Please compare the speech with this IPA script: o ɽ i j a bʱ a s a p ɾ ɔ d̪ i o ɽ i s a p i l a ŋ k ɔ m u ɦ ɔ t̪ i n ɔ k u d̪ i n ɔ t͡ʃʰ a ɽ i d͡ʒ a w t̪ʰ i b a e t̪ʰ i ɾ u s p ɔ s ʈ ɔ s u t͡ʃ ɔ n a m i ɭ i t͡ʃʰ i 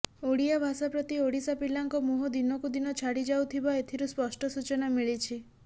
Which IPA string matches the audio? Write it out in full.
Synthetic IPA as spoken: o ɽ i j a bʱ a s a p ɾ ɔ t̪ i o ɽ i s a p i l a ŋ k ɔ m u ɦ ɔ d̪ i n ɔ k u d̪ i n ɔ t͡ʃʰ a ɽ i d͡ʒ a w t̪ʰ i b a e t̪ʰ i ɾ u s p ɔ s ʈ ɔ s u t͡ʃ ɔ n a m i ɭ i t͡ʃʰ i